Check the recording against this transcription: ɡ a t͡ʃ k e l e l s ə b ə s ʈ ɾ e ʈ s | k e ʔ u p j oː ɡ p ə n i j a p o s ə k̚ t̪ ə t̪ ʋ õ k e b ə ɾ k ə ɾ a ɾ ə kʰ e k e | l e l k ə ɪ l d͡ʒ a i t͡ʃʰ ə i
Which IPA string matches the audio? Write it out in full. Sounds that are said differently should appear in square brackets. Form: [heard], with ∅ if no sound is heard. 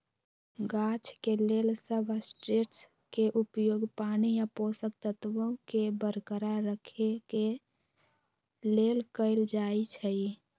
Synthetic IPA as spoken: ɡ a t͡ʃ k e l e l s ə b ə s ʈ ɾ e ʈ s | k e ʔ u p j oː ɡ p [a] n i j a p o s ə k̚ t̪ ə t̪ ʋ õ k e b ə ɾ k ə ɾ a ɾ ə kʰ e k e | l e l k ə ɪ l d͡ʒ a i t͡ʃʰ ə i